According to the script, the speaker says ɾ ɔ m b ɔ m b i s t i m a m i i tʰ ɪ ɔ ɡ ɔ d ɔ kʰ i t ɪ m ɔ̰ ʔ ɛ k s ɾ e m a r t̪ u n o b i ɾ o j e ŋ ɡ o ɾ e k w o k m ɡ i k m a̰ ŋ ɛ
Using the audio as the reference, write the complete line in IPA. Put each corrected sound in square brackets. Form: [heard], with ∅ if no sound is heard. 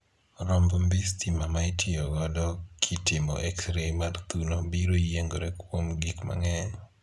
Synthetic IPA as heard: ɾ ɔ m b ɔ m b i s t i m a m [a] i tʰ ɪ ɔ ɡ ɔ d ɔ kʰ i t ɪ m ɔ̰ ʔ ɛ k s ɾ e m a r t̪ u n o b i ɾ o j e ŋ ɡ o ɾ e k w o [∅] m ɡ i k m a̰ ŋ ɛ